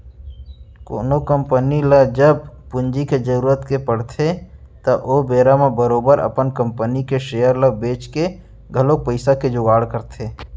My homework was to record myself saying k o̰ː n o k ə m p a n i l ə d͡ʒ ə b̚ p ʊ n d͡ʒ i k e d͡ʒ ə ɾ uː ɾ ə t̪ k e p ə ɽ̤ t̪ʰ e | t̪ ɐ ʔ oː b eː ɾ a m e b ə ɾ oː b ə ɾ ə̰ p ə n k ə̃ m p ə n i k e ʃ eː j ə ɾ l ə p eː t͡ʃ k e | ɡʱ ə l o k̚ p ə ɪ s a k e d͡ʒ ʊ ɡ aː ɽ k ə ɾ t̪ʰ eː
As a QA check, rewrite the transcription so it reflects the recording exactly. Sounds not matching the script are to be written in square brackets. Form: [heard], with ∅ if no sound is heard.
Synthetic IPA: k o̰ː n o k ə m p [ə] n i l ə d͡ʒ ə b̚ p ʊ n d͡ʒ i k e d͡ʒ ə ɾ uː ɾ ə t̪ k e p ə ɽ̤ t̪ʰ e | t̪ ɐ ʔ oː b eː ɾ a m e b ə ɾ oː b ə ɾ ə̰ p ə n k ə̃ m p ə n i k e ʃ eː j ə ɾ l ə [b] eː t͡ʃ k e | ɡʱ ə l o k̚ p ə ɪ s a k e d͡ʒ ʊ ɡ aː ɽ k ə ɾ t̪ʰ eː